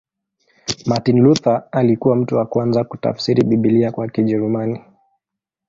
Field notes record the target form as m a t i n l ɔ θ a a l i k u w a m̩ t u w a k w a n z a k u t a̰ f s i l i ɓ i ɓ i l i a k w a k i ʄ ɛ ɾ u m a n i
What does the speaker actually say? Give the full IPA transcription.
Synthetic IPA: m a t i n l u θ a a l i k u w a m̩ t u w a k w a n z a k u t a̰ f s i ɾ i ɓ i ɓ i l i a k w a k i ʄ ɛ ɾ u m a n i

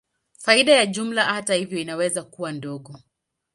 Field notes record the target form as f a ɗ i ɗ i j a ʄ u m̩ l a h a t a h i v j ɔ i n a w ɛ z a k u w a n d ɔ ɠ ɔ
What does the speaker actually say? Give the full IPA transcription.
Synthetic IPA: f a i ɗ a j a ʄ u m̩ l a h a t a h i v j ɔ i n a w ɛ z a k u w a n d ɔ ɠ ɔ

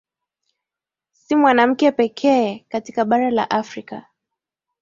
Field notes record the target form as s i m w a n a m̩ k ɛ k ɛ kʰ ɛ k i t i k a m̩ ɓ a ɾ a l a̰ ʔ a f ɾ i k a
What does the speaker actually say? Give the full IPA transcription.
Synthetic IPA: s i m w a n a m̩ k ɛ p ɛ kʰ ɛ k a t i k a ɓ a ɾ a l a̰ ʔ a f ɾ i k a

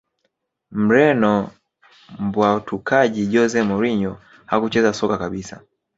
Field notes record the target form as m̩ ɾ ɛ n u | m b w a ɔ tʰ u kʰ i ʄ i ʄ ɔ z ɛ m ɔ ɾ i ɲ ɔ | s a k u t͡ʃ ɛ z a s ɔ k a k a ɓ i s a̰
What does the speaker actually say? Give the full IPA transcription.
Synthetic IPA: m̩ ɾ ɛ n ɔ | m b w a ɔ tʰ u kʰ a ʄ i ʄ ɔ z ɛ m ɔ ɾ i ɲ ɔ | h a k u t͡ʃ ɛ z a s ɔ k a k a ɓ i s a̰

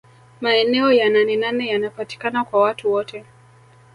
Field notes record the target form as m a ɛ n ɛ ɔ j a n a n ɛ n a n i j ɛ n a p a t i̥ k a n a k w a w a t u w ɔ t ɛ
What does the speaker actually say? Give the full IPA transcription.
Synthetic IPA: m a ɛ n ɛ ɔ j a n a n ɛ n a n ɛ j a n a p a t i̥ k a n a k w a w a t u w ɔ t ɛ

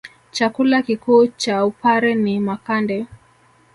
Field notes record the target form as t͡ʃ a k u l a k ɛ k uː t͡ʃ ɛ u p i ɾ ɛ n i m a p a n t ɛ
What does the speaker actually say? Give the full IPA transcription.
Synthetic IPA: t͡ʃ a k u l a k i k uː t͡ʃ a u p a ɾ ɛ n i m a k a n d ɛ

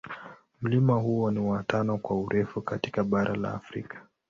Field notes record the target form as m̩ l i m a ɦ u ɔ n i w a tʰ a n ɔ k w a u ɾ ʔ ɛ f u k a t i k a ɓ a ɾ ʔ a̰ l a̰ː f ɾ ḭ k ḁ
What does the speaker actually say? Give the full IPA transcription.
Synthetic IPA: m̩ l i m a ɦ u ɔ n i w a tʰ a n ɔ k w a u ɾ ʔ ɛ f u k a t i k a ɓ a ɾ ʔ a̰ l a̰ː f ɾ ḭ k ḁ

